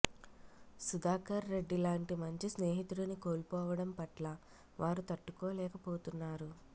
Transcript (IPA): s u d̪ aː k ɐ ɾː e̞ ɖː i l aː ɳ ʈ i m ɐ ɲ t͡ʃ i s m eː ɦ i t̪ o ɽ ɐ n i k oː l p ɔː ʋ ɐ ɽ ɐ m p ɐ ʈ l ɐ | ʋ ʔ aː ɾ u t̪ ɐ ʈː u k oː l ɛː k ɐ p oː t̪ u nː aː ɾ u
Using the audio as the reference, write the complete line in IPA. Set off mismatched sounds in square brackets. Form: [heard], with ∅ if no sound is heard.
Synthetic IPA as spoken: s u d̪ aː k ɐ ɾː e̞ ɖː i l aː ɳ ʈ i m ɐ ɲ t͡ʃ i s [n] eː ɦ i t̪ [u] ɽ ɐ n i k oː l p ɔː ʋ ɐ ɽ ɐ m p ɐ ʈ l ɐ | ʋ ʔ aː ɾ u t̪ ɐ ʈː u k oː l ɛː k ɐ p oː t̪ u nː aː ɾ u